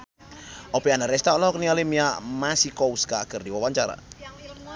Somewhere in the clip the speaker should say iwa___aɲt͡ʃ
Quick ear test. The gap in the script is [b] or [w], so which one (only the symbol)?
w